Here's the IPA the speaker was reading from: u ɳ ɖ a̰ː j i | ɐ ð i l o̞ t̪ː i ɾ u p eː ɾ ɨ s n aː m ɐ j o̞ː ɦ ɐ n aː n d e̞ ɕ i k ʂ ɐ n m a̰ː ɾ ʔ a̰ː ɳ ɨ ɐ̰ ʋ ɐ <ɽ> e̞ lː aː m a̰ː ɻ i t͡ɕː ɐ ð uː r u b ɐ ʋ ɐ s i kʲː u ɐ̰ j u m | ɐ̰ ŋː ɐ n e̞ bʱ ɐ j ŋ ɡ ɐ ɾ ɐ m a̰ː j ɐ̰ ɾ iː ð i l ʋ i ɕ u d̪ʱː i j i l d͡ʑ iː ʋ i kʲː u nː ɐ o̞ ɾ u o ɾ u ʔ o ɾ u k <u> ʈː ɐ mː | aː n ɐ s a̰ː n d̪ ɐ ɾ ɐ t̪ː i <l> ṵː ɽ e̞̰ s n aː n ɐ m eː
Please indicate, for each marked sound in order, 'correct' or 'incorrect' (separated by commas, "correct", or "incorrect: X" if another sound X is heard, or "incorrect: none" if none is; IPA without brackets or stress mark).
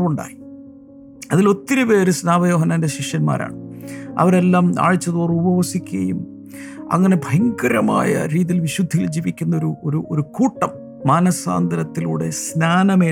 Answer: incorrect: ɾ, incorrect: uː, correct